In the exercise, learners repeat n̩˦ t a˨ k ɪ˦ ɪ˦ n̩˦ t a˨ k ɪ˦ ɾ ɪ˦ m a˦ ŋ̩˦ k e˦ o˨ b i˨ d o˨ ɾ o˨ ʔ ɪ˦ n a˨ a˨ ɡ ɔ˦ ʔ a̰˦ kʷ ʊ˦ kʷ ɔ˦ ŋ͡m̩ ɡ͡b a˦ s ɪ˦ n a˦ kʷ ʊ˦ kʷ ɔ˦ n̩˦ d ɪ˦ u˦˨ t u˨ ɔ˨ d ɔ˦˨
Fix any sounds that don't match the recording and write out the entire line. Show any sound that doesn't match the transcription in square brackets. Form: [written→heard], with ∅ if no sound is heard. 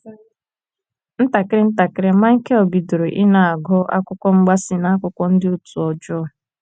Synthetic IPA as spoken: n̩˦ t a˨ k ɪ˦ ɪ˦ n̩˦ t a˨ k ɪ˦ ɾ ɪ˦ m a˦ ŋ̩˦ k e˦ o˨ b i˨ d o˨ ɾ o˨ ʔ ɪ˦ n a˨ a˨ ɡ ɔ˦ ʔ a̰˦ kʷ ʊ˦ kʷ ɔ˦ ŋ͡m̩ ɡ͡b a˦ s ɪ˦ n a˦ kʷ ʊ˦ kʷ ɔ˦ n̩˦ d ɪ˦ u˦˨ t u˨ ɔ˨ [d→d͡ʒ] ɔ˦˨

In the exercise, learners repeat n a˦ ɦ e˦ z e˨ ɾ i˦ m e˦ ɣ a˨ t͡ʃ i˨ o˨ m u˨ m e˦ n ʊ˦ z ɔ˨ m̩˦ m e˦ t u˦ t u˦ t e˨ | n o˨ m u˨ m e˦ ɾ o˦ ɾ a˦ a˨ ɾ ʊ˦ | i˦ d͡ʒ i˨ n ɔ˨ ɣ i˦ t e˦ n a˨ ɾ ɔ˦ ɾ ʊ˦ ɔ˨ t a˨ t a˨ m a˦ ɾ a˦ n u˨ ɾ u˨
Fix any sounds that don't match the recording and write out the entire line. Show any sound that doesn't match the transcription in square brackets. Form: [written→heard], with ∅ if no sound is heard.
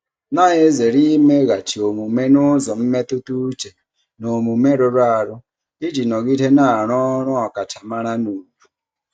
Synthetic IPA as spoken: n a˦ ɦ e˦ z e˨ ɾ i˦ m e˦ ɣ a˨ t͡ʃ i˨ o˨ m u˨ m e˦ n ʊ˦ z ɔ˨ m̩˦ m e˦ t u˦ t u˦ [t→t͡ʃ] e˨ | n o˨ m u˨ m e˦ ɾ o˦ ɾ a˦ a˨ ɾ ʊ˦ | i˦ d͡ʒ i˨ n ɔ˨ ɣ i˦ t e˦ n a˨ ɾ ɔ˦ ɾ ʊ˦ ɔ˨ [t→k] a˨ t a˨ m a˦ ɾ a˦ n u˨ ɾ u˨

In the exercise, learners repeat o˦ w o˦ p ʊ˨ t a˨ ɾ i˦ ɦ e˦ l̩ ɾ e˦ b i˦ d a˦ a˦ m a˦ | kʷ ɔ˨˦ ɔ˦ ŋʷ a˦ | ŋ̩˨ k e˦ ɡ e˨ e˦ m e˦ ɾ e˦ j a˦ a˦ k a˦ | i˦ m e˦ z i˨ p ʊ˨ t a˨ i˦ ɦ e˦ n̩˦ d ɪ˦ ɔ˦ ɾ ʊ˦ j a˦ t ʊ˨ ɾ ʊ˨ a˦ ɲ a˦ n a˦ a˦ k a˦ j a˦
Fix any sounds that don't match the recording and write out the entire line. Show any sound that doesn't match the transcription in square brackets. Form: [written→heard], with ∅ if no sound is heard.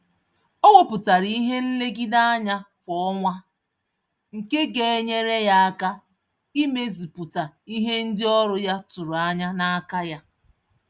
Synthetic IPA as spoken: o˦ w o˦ p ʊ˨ t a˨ ɾ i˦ ɦ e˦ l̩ [ɾ→l] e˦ [b→ɡ] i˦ d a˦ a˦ [m→ɲ] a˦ | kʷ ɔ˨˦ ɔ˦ ŋʷ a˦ | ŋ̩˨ k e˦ ɡ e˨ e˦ [m→ɲ] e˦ ɾ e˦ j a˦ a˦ k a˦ | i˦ m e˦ z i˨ p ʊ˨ t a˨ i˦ ɦ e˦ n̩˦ d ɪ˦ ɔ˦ ɾ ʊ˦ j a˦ t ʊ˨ ɾ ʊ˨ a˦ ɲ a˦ n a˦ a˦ k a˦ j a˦

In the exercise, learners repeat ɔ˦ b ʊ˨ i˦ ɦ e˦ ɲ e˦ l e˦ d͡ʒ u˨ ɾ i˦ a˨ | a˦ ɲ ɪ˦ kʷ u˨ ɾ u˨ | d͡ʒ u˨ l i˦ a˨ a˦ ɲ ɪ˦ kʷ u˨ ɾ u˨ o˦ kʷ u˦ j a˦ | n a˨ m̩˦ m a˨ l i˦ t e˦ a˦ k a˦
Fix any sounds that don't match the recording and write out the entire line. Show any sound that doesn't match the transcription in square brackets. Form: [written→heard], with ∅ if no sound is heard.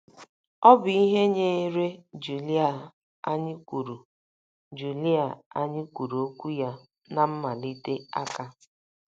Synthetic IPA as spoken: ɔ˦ b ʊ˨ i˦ ɦ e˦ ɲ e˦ [l→ɾ] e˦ d͡ʒ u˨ [ɾ→l] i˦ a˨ | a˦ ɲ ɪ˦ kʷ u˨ ɾ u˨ | d͡ʒ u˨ l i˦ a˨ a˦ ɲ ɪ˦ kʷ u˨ ɾ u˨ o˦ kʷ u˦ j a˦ | n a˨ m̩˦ m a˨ l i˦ t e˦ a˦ k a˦

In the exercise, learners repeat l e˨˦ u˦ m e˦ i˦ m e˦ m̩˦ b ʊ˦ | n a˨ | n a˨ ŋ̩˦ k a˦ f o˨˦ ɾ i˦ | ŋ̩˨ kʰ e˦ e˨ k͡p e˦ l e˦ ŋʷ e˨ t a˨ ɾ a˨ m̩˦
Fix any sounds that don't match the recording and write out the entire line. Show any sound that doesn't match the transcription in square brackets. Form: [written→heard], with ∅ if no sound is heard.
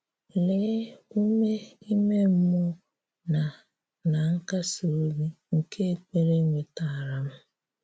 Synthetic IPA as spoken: l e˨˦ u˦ m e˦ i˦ m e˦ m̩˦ [b→m] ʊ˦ | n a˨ | n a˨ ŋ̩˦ k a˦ [f→s] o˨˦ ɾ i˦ | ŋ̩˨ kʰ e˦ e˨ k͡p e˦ [l→ɾ] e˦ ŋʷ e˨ t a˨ ɾ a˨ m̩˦

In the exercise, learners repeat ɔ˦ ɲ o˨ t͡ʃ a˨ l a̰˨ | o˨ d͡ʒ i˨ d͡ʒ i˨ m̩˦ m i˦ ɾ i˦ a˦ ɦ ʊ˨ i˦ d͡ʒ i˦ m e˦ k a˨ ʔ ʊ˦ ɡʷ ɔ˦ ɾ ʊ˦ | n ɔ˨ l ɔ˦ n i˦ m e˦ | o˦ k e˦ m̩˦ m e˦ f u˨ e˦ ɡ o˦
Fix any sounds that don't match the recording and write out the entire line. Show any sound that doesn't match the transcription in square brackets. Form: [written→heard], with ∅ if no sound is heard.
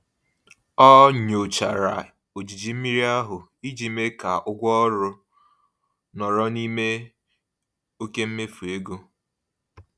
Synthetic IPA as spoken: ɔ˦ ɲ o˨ t͡ʃ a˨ [l→ɾ] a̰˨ | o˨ d͡ʒ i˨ d͡ʒ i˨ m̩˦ m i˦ ɾ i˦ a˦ ɦ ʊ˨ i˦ d͡ʒ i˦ m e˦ k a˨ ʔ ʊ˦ ɡʷ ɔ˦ ɾ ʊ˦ | n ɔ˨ [l→ɾ] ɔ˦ n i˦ m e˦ | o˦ k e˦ m̩˦ m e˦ f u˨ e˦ ɡ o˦

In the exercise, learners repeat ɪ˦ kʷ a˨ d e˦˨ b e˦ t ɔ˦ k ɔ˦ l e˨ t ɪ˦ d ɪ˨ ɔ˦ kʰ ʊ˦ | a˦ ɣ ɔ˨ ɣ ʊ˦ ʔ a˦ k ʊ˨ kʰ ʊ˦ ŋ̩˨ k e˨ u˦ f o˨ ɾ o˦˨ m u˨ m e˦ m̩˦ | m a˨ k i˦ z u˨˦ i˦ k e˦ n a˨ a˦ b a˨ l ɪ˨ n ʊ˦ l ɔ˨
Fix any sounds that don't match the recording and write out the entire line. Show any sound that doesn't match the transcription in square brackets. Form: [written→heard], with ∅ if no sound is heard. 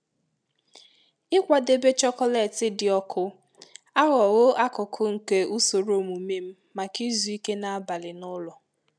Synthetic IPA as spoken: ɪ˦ kʷ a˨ d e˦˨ b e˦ [t→t͡ʃ] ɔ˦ k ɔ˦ l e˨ t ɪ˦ d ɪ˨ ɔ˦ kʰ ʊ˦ | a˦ ɣ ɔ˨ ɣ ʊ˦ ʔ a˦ k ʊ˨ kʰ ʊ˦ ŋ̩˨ k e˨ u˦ [f→s] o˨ ɾ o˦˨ m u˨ m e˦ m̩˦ | m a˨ k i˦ z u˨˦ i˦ k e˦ n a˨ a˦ b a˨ l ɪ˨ n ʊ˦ l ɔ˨

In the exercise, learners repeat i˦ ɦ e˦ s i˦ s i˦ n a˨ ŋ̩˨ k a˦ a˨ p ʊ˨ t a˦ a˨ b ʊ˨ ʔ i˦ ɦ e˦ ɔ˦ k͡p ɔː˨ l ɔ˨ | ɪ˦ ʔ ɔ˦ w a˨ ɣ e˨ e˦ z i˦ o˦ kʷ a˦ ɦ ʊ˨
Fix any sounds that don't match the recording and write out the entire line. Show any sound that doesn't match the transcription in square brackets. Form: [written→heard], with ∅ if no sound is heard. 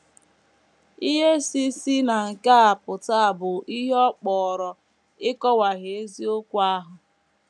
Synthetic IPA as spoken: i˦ ɦ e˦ s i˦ s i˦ n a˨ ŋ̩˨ k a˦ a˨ p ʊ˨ t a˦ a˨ b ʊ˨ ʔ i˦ ɦ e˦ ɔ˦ k͡p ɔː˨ [l→ɾ] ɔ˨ | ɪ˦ [ʔ→k] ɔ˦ w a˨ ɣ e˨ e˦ z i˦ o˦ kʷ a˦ ɦ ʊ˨

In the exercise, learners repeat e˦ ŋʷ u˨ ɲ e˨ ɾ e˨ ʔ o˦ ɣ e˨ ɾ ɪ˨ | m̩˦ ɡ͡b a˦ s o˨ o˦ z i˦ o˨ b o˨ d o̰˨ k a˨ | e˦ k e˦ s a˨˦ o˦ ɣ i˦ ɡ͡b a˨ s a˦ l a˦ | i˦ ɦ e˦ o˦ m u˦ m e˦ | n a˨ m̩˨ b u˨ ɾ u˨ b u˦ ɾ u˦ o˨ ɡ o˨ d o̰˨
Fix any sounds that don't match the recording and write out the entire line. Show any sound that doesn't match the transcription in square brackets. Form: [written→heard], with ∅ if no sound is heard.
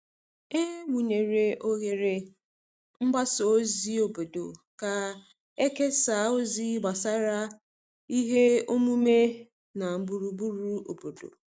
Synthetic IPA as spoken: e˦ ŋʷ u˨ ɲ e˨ ɾ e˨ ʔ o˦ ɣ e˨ ɾ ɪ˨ | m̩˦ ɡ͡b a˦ s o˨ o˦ z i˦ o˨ b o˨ d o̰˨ k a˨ | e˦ k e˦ s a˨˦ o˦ [ɣ→z] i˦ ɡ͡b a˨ s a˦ [l→ɾ] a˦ | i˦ ɦ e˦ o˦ m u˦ m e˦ | n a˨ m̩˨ b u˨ ɾ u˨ b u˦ ɾ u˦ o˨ [ɡ→b] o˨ d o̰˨

